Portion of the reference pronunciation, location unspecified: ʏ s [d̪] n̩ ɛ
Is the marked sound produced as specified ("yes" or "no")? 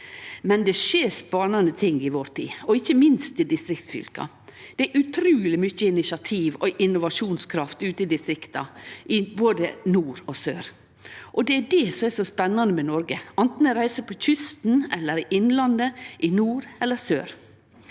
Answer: no